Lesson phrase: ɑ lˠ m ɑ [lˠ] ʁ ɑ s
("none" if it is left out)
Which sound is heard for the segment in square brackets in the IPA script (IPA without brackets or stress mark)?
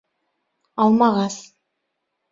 none